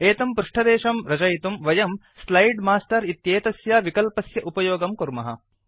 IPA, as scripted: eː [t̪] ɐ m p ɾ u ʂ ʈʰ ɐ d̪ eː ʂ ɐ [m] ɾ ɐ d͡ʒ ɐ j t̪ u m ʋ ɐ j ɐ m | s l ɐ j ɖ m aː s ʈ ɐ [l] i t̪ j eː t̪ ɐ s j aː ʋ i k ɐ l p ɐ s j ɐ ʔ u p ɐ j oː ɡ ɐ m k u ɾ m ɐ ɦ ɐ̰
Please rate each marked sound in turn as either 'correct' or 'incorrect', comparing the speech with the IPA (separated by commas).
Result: correct, correct, incorrect